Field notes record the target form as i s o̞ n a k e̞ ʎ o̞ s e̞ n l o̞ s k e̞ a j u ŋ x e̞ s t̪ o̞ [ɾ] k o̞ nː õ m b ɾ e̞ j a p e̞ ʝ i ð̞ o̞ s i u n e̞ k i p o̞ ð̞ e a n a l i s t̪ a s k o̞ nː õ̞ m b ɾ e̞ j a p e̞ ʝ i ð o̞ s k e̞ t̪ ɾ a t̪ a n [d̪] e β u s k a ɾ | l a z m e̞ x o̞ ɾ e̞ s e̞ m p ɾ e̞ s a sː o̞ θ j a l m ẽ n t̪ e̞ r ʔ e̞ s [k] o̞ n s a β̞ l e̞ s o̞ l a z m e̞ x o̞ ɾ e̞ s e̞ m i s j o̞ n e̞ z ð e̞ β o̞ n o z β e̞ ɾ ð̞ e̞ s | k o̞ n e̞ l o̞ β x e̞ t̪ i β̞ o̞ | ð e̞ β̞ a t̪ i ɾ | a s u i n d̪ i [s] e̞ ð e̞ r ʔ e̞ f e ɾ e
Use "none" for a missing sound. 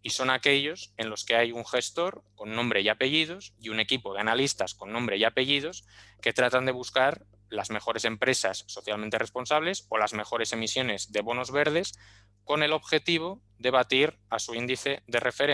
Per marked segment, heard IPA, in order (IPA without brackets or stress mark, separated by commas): ɾ, d̪, p, θ